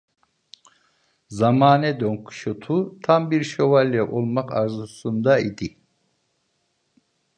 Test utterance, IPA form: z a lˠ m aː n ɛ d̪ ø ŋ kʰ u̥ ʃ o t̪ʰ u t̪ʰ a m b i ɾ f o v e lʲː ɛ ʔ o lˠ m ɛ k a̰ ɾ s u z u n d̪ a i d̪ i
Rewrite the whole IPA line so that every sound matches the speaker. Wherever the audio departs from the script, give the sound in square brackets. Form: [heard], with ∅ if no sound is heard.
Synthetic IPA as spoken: z a [∅] m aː n ɛ d̪ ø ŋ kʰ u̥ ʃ o t̪ʰ u t̪ʰ a m b i ɾ [ʃ] o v [a] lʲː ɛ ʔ o lˠ m [a] k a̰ ɾ [z] u [s] u n d̪ a i d̪ i

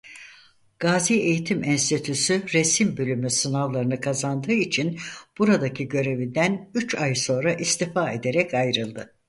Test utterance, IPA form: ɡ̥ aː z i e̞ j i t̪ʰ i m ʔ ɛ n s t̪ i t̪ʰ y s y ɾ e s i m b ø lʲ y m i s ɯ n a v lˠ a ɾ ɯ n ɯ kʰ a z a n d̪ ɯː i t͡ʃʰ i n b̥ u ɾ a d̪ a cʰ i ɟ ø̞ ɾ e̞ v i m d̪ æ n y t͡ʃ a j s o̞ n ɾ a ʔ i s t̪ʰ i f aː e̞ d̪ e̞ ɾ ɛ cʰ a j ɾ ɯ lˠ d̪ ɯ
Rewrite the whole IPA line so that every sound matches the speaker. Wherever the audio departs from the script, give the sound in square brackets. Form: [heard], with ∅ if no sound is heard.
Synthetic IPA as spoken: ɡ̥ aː z i e̞ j i t̪ʰ i m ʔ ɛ n s t̪ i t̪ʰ y s y ɾ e s i m b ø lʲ y m [y] s ɯ n a v lˠ a ɾ ɯ n ɯ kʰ a z a n d̪ ɯː i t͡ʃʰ i n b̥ u ɾ a d̪ a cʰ i ɟ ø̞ ɾ e̞ v i [n] d̪ æ n y t͡ʃ a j s o̞ n ɾ a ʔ i s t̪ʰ i f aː e̞ d̪ e̞ ɾ ɛ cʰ a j ɾ ɯ lˠ d̪ ɯ

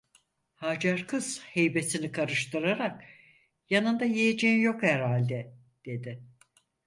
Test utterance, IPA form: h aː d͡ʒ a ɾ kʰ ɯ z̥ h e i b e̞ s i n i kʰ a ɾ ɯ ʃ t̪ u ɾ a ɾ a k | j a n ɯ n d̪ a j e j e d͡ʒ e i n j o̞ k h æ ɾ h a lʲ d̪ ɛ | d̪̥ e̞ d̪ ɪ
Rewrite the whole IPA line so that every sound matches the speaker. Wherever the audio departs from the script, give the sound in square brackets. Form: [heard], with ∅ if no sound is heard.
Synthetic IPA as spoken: h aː d͡ʒ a ɾ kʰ ɯ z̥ h e [j] b e̞ s i n i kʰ a ɾ ɯ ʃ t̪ [ɯ] ɾ a ɾ a k | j a n ɯ n d̪ a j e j e d͡ʒ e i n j o̞ k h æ ɾ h a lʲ d̪ ɛ | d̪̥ e̞ d̪ ɪ

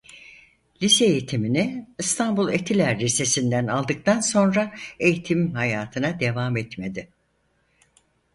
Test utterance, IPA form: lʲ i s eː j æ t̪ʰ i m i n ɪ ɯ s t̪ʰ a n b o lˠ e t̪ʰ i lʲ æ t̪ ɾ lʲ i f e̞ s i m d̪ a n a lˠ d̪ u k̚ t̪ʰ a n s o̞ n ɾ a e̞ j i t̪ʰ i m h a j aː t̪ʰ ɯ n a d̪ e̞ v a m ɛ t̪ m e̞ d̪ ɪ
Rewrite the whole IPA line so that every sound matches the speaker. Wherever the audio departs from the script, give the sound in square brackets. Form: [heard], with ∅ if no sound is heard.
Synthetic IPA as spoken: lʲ i s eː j [i] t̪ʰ i m i n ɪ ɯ s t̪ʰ a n b [u] lˠ e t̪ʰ i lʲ æ [∅] ɾ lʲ i [s] e̞ s i [n] d̪ [æ] n a lˠ d̪ [ɯ] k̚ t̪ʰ a n s o̞ n ɾ a e̞ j i t̪ʰ i m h a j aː t̪ʰ ɯ n a d̪ e̞ v a m ɛ t̪ m e̞ d̪ ɪ

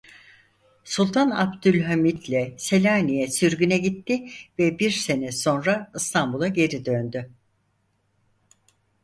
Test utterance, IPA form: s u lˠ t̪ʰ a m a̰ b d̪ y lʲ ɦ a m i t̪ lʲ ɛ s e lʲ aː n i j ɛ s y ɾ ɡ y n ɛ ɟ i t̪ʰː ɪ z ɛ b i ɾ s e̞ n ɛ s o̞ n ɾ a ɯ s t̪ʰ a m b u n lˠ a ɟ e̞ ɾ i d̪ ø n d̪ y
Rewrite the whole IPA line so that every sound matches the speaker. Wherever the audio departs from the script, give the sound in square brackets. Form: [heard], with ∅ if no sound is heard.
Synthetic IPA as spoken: s u lˠ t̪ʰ a [n] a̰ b d̪ y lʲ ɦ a m i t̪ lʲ ɛ s e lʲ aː n i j ɛ s y ɾ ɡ y n ɛ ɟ i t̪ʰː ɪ [v] ɛ b i ɾ s e̞ n ɛ s o̞ n ɾ a ɯ s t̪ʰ a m b u [∅] lˠ a ɟ e̞ ɾ i d̪ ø n d̪ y

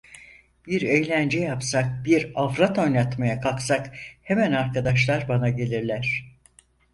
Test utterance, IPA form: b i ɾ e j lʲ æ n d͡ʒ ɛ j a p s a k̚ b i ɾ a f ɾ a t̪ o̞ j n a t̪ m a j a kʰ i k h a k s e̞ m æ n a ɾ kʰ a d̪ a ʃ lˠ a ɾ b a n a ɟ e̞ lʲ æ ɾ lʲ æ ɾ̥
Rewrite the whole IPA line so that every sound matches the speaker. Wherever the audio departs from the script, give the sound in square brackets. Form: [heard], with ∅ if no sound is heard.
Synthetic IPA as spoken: b i ɾ e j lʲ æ n d͡ʒ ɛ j a p s a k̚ b i ɾ a f ɾ a t̪ o̞ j n a t̪ m a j a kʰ [a] k [s] a k [h] e̞ m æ n a ɾ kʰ a d̪ a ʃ lˠ a ɾ b a n a ɟ e̞ lʲ [i] ɾ lʲ æ ɾ̥

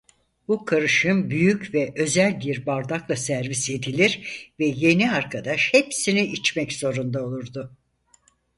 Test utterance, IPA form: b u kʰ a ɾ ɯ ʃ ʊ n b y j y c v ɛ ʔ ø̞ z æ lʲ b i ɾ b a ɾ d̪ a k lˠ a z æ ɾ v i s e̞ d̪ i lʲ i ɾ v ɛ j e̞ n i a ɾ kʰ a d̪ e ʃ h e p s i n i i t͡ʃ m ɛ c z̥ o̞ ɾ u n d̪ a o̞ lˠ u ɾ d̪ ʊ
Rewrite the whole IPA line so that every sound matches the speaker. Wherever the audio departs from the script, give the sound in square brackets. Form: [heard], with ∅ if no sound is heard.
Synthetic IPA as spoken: b u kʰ a ɾ ɯ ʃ [ɯ] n b y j y c v ɛ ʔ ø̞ z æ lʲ b i ɾ b a ɾ d̪ a k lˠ a [s] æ ɾ v i s e̞ d̪ i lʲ i ɾ v ɛ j e̞ n i a ɾ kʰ a d̪ [a] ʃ h e p s i n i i t͡ʃ m ɛ c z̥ o̞ ɾ u n d̪ a o̞ lˠ u ɾ d̪ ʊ

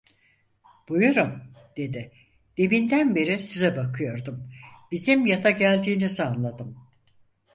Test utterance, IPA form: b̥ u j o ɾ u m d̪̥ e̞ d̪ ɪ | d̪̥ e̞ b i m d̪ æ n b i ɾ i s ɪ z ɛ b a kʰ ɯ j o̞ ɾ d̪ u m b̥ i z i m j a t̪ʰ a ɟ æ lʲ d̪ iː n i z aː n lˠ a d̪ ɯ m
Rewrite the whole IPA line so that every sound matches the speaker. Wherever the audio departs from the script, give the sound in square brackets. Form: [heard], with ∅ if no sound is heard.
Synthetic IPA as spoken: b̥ u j [u] ɾ u m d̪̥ e̞ d̪ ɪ | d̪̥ e̞ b i [n] d̪ æ n b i ɾ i s [i] z ɛ b a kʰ ɯ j o̞ ɾ d̪ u m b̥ i z i m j a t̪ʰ a ɟ æ lʲ d̪ iː n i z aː n lˠ a d̪ ɯ m

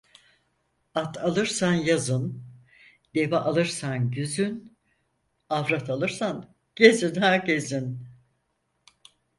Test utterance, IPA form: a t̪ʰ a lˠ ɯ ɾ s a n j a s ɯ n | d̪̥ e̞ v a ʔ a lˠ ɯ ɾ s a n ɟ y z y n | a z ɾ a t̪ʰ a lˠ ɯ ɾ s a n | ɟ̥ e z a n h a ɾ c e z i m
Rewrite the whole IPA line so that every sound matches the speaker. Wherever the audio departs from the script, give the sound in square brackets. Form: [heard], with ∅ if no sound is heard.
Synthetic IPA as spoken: a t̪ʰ a lˠ ɯ ɾ s a n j a [z] ɯ n | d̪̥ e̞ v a ʔ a lˠ ɯ ɾ s a n ɟ y z y n | a [v] ɾ a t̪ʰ a lˠ ɯ ɾ s a n | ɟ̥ e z [i] n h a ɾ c e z i [n]

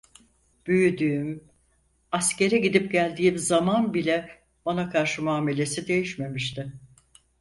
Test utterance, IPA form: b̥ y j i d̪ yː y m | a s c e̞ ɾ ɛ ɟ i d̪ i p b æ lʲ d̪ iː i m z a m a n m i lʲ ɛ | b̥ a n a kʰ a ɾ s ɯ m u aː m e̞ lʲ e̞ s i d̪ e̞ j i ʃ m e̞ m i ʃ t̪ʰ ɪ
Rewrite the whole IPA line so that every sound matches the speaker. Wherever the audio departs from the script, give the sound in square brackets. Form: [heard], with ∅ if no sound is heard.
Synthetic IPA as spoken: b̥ y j [y] d̪ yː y m | a s c e̞ ɾ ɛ ɟ i d̪ i p [ɟ] æ lʲ d̪ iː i m z a m a n [b] i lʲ ɛ | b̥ a n a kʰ a ɾ [ʃ] ɯ m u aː m e̞ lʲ e̞ s i d̪ e̞ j i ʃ m e̞ m i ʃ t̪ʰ ɪ

